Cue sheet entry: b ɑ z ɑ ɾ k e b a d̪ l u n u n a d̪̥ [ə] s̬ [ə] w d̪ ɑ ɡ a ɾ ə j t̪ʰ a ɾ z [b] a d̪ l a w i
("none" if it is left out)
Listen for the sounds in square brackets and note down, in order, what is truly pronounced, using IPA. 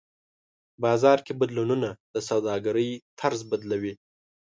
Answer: ə, a, b

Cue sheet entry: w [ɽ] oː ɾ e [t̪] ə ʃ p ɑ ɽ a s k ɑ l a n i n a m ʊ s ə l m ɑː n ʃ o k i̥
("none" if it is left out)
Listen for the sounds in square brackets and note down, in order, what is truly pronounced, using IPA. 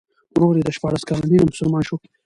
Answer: ɾ, d̪

